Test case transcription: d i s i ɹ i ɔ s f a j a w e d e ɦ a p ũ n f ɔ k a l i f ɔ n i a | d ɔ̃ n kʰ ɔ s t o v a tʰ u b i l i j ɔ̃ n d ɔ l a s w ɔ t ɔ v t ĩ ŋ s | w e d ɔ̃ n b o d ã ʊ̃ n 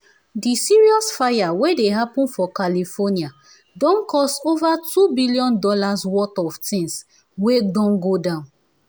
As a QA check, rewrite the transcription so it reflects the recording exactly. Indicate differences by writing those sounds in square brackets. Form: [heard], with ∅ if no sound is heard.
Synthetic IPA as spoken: d i s i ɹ i ɔ s f a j a w e d e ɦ a p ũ n f ɔ k a l i f ɔ n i a | d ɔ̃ n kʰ ɔ s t o v a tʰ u b i l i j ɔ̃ n d ɔ l a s w ɔ t ɔ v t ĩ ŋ s | w e d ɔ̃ n [ɡ] o d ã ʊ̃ n